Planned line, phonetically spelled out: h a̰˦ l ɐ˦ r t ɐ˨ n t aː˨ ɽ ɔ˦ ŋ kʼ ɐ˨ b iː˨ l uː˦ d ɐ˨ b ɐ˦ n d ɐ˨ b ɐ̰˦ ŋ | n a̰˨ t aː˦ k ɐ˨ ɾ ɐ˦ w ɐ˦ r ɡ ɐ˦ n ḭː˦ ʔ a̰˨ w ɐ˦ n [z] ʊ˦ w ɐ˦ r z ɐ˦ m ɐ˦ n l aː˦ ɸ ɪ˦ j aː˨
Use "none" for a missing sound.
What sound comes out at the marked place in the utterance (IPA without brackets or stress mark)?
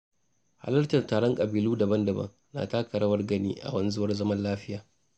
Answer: z